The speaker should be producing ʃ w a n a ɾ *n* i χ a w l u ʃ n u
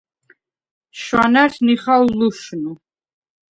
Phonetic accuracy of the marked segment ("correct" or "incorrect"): correct